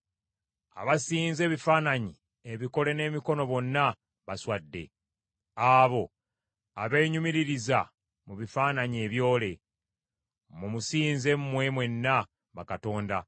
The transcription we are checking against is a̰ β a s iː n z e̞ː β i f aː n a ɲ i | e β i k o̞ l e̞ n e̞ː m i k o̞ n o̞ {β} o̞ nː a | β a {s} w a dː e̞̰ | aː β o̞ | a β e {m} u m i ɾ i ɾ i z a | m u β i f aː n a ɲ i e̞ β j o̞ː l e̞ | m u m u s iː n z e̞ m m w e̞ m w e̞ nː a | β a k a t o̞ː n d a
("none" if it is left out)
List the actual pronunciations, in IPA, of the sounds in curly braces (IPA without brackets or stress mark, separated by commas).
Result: β, s, ɲ